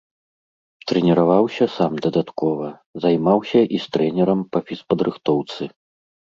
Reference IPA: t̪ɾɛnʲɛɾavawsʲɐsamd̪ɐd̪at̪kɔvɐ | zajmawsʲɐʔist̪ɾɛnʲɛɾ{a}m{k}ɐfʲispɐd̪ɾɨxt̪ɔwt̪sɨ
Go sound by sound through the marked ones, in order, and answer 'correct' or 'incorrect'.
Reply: incorrect: ɐ, incorrect: p

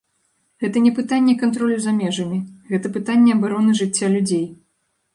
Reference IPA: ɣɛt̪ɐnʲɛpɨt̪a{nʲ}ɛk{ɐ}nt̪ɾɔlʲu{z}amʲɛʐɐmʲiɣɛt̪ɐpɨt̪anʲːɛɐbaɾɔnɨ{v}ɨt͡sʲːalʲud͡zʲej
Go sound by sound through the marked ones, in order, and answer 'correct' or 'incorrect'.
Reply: incorrect: nʲː, incorrect: a, correct, incorrect: ʐ

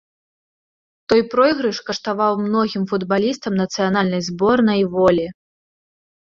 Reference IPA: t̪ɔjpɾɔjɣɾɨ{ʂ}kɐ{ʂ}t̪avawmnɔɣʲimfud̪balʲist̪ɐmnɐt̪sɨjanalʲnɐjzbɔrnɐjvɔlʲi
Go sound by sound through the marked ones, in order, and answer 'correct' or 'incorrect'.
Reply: correct, correct

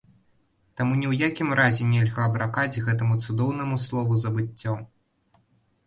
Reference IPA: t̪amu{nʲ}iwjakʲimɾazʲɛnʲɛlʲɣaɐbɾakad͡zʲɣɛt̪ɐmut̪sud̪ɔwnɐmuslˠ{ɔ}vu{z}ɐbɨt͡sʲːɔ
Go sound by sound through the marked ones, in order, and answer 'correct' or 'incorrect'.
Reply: correct, correct, correct

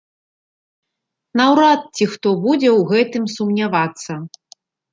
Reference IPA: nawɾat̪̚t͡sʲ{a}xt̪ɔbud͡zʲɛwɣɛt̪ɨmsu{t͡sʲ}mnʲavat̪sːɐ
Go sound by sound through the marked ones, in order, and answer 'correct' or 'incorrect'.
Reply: incorrect: i, incorrect: none

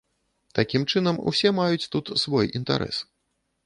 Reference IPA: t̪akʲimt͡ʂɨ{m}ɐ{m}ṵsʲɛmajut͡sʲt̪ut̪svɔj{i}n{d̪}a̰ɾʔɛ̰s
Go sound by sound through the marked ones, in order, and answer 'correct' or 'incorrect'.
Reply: incorrect: n, correct, correct, incorrect: t̪

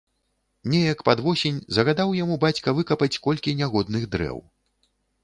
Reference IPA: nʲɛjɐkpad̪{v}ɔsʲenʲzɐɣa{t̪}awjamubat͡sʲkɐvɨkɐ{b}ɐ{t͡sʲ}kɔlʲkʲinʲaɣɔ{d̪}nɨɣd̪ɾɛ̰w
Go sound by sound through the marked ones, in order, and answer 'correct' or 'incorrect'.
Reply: correct, incorrect: d̪, incorrect: p, correct, correct

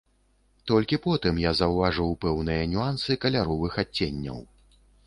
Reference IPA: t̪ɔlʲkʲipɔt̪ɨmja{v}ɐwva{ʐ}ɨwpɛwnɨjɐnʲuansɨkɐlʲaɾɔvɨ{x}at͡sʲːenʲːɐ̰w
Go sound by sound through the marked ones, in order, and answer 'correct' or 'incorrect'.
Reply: incorrect: z, correct, correct

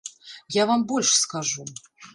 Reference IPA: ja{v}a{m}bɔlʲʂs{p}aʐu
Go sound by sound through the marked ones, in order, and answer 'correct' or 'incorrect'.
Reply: correct, correct, incorrect: k

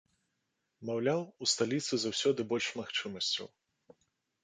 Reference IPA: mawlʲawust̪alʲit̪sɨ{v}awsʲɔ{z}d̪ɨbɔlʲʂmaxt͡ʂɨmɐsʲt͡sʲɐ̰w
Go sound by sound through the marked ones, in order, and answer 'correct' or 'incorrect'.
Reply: incorrect: z, incorrect: none

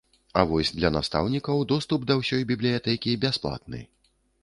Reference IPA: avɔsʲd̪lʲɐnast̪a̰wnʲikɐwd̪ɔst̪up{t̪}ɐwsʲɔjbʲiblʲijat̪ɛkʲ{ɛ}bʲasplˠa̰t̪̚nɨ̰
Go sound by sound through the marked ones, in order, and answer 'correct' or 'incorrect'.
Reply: incorrect: d̪, incorrect: i

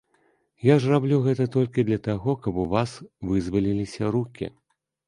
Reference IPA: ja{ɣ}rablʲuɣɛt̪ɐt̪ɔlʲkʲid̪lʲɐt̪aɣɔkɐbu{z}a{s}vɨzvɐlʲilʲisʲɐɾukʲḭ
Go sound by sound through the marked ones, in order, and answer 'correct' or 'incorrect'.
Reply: incorrect: ʐ, incorrect: v, correct

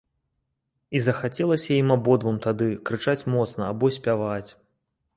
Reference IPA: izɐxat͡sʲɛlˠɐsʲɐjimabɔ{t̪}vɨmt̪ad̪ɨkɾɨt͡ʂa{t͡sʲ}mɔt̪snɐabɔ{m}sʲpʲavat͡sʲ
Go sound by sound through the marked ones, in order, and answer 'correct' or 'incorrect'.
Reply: incorrect: d̪, correct, incorrect: none

